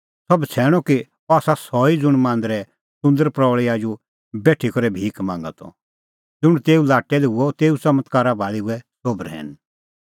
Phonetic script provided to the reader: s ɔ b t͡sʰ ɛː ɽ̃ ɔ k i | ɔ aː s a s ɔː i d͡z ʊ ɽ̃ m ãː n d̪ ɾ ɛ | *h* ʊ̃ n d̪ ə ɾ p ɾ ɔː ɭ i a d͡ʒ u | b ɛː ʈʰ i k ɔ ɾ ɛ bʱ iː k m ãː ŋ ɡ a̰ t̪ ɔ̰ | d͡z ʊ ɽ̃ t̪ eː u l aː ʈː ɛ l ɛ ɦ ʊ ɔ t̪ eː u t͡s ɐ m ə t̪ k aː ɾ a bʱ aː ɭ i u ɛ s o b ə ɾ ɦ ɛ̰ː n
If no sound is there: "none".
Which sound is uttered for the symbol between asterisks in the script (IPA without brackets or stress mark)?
s